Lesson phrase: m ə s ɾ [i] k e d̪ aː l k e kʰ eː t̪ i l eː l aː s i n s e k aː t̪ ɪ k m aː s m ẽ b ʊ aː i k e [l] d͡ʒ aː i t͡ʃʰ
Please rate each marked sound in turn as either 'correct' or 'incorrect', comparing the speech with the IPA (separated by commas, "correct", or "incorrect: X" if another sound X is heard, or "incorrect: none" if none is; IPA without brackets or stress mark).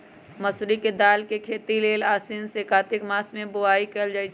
correct, correct